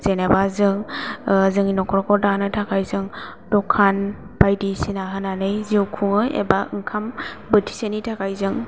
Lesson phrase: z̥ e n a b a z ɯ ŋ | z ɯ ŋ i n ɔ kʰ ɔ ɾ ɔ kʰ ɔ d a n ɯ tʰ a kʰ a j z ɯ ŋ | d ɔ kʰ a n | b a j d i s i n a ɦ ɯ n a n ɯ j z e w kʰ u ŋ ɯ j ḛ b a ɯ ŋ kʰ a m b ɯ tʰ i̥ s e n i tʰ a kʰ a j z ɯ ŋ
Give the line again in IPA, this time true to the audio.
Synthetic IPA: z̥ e n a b a z ɯ ŋ | z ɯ ŋ i n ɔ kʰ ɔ ɾ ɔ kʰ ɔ d a n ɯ tʰ a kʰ a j z ɯ ŋ | d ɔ kʰ a n | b a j d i s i n a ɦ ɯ n a n ɯ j z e w kʰ u ŋ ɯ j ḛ b a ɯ ŋ kʰ a m b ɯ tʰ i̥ s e n i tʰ a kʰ a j z ɯ ŋ